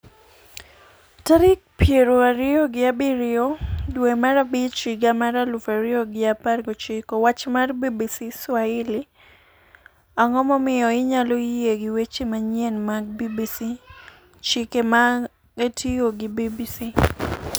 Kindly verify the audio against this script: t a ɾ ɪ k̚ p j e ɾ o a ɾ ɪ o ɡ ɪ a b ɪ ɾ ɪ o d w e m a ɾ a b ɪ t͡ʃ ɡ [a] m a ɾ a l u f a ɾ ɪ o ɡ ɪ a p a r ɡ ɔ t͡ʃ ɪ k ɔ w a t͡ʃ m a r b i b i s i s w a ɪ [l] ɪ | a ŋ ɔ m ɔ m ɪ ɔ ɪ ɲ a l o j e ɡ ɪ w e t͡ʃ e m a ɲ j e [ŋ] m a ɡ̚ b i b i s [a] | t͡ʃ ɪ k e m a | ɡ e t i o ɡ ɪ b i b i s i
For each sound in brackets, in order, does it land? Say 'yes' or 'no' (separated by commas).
yes, yes, no, no